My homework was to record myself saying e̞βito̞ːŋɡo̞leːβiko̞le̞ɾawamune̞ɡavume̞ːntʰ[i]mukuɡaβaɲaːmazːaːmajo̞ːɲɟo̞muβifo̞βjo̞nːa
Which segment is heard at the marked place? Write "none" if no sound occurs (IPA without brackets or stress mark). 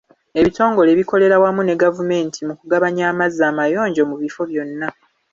i